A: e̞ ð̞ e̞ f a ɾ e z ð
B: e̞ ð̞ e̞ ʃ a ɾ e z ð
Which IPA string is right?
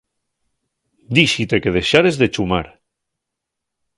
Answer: B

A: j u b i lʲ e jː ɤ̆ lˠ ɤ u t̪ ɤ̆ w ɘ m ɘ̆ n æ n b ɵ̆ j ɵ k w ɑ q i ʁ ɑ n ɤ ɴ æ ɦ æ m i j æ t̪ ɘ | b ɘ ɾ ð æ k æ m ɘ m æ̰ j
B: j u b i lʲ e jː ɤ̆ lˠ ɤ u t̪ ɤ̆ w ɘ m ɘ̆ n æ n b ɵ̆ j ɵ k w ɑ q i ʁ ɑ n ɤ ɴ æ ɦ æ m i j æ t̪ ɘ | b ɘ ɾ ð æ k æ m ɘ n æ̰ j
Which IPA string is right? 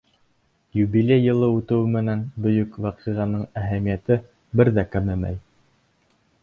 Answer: A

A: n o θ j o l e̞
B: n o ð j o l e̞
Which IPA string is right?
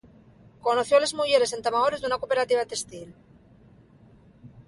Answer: A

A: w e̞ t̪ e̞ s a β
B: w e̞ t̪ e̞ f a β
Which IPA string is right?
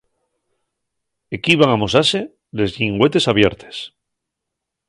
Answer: A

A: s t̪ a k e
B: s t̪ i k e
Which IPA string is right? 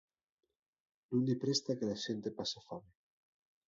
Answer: A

